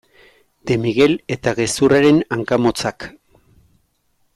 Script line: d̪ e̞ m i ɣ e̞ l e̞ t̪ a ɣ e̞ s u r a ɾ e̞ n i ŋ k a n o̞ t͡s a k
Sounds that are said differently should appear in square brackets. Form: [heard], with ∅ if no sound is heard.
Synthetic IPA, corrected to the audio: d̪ e̞ m i ɣ e̞ l e̞ t̪ a ɣ e̞ s u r a ɾ e̞ n [a] ŋ k a [m] o̞ t͡s a k